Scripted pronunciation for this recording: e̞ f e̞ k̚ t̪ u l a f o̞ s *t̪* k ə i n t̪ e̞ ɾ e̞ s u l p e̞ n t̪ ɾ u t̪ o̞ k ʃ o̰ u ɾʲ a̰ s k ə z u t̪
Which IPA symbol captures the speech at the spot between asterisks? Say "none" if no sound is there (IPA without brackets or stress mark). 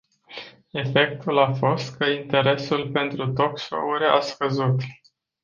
t̪